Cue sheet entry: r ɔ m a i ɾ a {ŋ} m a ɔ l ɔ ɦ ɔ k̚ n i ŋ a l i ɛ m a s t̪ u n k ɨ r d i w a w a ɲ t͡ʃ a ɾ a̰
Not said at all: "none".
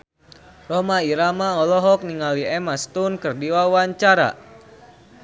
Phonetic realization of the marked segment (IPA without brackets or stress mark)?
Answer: none